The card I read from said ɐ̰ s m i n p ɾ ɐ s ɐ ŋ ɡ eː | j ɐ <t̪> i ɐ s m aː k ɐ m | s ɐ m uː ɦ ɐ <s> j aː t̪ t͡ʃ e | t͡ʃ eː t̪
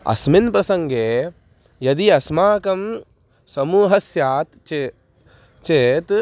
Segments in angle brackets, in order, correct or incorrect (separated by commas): incorrect, correct